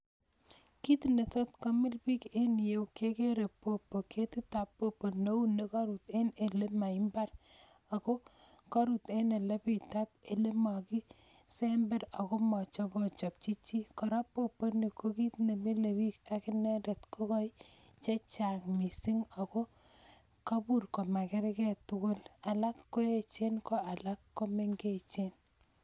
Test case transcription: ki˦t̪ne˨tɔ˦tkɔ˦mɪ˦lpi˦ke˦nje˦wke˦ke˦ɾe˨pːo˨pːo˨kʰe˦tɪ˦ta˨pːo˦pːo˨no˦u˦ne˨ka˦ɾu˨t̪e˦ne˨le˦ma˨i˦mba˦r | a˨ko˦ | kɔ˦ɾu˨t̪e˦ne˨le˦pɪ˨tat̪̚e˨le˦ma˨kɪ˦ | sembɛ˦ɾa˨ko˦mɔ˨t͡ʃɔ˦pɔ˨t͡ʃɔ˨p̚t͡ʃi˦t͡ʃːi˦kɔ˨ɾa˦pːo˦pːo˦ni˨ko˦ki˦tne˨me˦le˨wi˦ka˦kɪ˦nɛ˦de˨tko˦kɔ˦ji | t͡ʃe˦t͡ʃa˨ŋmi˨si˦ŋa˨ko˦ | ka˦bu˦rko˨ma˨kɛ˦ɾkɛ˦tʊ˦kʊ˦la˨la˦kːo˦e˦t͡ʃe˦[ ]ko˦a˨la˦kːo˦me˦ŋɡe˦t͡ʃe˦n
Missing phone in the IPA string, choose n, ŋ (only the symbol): n